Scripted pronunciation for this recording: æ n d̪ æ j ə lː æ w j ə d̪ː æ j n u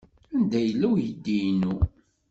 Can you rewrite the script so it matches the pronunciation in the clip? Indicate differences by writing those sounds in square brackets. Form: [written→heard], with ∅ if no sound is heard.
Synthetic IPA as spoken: æ n d̪ æ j ə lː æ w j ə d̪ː [æ→i] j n u